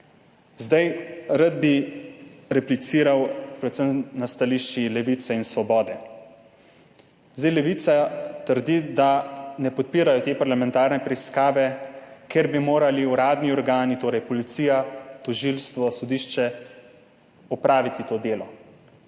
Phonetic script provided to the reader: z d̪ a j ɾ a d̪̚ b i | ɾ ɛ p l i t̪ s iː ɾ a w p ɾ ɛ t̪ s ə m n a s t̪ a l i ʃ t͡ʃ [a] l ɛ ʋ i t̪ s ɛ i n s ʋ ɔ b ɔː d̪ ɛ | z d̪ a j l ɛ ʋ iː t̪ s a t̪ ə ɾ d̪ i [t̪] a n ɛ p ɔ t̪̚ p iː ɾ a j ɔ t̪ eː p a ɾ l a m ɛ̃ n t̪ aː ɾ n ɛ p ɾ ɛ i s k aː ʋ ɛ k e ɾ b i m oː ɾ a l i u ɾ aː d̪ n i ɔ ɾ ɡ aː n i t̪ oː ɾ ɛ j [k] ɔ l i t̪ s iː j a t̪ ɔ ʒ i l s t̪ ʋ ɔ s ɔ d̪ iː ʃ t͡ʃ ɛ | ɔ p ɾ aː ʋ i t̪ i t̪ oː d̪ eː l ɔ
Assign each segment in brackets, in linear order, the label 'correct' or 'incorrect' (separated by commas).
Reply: incorrect, incorrect, incorrect